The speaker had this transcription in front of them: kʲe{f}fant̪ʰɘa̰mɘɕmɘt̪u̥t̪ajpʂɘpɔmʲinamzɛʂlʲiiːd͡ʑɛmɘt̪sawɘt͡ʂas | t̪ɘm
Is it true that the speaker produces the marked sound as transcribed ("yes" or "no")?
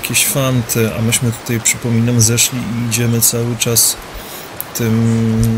no